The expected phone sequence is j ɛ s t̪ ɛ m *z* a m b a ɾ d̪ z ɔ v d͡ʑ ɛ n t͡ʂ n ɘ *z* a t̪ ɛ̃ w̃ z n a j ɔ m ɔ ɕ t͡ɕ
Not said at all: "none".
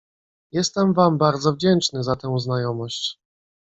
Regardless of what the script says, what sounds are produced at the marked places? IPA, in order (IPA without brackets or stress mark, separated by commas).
v, z